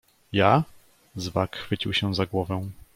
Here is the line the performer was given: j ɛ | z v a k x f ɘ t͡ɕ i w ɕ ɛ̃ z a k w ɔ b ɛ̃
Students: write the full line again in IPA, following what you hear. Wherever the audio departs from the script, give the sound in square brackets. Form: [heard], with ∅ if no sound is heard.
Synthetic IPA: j [a] | z v a k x f ɘ t͡ɕ i w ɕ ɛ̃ z a [ɡ] w ɔ [v] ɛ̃